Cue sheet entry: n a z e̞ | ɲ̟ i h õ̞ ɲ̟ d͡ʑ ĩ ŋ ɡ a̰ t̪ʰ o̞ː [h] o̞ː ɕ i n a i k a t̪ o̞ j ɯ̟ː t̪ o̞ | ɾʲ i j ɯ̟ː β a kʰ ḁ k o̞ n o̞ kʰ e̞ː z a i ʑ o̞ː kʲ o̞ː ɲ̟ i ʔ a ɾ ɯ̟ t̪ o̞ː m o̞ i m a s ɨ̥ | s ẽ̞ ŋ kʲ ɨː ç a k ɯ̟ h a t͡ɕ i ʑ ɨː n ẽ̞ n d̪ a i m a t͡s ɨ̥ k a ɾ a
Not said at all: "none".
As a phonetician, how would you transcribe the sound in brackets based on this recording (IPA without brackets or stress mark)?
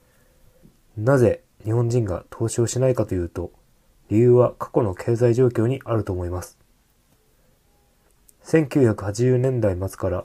ɕ